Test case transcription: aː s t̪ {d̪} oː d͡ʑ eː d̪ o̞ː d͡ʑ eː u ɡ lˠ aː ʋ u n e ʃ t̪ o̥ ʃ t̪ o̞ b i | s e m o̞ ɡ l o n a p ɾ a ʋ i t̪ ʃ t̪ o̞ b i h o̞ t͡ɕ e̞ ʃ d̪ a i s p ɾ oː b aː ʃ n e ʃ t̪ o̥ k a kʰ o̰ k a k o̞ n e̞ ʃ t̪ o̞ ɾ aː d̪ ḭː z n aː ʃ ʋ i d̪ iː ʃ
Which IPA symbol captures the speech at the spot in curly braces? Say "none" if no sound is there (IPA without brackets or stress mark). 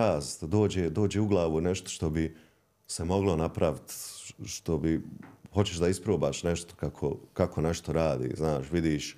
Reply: d̪